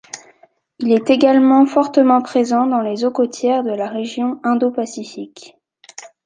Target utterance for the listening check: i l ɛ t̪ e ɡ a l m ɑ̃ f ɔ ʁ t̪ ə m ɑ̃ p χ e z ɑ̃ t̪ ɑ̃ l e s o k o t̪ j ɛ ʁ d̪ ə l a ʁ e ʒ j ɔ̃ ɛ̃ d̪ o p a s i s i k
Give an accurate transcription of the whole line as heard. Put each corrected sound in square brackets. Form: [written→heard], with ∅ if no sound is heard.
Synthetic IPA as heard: i l ɛ t̪ e ɡ a l m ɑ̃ f ɔ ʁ t̪ ə m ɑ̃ p χ e z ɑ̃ [t̪→d̪] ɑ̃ l e [s→z] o k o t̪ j ɛ ʁ d̪ ə l a ʁ e ʒ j ɔ̃ ɛ̃ d̪ o p a s i [s→f] i k